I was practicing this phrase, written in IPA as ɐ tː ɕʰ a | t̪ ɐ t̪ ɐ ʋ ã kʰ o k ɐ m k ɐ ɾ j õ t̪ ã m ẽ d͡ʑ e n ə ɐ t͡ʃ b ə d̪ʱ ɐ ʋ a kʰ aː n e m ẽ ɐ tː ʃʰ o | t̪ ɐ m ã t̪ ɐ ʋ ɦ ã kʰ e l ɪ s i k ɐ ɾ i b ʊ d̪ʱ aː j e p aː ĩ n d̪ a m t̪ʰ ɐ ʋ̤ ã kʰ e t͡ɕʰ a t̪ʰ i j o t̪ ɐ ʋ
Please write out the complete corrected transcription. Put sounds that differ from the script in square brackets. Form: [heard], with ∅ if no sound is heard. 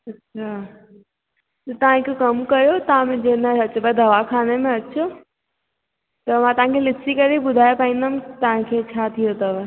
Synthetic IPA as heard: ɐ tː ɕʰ a | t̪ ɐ t̪ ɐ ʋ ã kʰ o k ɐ m k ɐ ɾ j [o] t̪ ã m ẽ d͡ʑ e n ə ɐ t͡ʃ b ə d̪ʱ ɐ ʋ a kʰ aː n e m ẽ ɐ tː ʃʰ o | t̪ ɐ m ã t̪ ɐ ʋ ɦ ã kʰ e l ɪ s i k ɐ ɾ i b ʊ d̪ʱ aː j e p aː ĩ n d̪ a m [t̪] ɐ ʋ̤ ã kʰ e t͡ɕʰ a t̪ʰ i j o t̪ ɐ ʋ